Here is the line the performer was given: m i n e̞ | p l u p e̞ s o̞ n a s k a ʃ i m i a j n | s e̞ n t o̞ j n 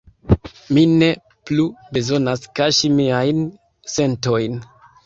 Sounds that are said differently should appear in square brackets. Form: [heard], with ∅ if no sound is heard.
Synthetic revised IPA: m i n e̞ | p l u [b] e̞ [z] o̞ n a s k a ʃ i m i a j n | s e̞ n t o̞ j n